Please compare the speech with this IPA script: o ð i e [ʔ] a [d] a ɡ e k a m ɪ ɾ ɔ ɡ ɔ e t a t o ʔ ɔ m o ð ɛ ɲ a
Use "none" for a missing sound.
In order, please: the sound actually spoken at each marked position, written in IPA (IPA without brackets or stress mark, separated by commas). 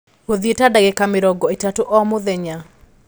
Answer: t, d